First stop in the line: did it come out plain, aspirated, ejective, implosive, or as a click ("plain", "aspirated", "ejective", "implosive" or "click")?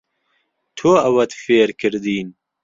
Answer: aspirated